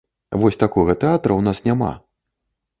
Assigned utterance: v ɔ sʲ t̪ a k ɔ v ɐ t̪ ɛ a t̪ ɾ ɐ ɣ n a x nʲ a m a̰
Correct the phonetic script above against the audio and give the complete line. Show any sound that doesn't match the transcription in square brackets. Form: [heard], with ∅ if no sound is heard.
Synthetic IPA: v ɔ sʲ t̪ a k ɔ [ɣ] ɐ t̪ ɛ a t̪ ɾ ɐ [w] n a [s] nʲ a m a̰